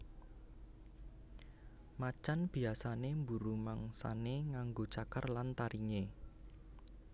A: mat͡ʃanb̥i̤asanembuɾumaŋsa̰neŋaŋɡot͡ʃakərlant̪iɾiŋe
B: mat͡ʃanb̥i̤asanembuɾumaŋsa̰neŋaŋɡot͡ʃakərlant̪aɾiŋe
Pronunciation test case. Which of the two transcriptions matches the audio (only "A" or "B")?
B